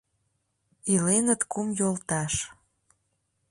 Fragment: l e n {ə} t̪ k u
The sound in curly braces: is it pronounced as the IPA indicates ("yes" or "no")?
yes